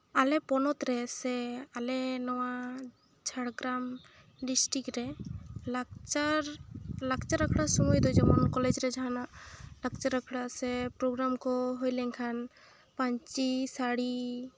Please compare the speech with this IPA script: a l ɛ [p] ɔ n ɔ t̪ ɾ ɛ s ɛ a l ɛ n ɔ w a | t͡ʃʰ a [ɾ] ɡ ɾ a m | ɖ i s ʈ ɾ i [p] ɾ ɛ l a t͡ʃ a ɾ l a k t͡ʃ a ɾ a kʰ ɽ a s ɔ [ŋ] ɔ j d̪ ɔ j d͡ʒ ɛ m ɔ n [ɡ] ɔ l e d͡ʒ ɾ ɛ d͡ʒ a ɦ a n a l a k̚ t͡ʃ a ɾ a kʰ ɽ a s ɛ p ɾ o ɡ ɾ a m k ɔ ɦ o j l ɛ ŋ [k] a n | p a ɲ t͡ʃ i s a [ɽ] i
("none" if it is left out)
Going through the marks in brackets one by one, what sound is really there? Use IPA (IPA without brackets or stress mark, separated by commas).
p, ɽ, k, m, k, kʰ, ɽ